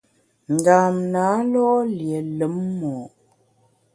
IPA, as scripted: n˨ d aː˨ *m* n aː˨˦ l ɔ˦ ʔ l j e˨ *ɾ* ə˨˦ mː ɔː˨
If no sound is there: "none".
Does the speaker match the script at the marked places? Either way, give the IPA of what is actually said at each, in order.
m, l

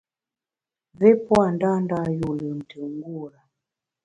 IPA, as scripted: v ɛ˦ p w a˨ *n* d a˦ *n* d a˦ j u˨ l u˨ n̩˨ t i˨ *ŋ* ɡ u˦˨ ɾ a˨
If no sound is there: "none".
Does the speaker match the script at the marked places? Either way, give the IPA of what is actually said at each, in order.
n, n, ŋ

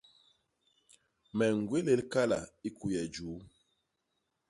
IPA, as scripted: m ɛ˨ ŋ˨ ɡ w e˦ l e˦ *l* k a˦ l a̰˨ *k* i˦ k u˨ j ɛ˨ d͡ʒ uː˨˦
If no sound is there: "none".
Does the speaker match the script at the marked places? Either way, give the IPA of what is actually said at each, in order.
l, none

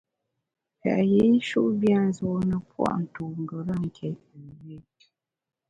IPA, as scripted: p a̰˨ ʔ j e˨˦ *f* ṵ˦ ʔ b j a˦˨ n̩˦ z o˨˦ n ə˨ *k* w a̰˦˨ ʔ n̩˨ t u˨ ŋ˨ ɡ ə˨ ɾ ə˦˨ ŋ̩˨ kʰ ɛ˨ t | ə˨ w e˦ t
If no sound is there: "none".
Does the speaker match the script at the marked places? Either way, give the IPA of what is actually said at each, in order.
ʃ, p

